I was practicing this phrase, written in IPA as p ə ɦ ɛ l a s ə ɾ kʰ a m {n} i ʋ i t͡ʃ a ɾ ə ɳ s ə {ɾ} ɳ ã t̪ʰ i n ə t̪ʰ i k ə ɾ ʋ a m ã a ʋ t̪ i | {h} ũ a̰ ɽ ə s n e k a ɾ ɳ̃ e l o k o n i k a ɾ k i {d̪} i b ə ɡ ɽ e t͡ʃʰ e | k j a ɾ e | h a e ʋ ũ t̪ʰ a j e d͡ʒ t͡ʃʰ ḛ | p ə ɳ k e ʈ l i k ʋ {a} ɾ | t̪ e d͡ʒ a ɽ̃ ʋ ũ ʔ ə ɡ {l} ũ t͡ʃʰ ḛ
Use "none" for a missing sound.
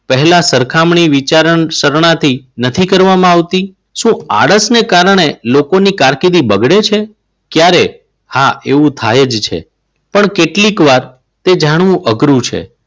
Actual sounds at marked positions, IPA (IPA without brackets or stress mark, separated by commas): ɳ, ɾ, ʃ, d̪, a, ɾ